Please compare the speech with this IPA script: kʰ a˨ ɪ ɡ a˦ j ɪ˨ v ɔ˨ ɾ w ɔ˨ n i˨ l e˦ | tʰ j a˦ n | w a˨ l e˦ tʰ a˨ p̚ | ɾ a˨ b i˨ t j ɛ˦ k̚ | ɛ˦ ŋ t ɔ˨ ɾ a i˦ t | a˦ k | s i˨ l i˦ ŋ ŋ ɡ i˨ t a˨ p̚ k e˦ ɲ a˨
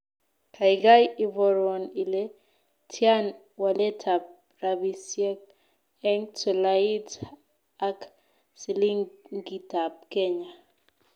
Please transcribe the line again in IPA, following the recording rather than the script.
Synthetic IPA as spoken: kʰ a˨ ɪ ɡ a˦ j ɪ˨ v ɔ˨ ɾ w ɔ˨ n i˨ l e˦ | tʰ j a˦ n | w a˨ l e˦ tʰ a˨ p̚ | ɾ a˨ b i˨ s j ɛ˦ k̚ | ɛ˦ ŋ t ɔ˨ l a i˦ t | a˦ k | s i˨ l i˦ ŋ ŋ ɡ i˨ t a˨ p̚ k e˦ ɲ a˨